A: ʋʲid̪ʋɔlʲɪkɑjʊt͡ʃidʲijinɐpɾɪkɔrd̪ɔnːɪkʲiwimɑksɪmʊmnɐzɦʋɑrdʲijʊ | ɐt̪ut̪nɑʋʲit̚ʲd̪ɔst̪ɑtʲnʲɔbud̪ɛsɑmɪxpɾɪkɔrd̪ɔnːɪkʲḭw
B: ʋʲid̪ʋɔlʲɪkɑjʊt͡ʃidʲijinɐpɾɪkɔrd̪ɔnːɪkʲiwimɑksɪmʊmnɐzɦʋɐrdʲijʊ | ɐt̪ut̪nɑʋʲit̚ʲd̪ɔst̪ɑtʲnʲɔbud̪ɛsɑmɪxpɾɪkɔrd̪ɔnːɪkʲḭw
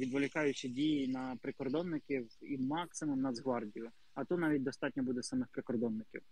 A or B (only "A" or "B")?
A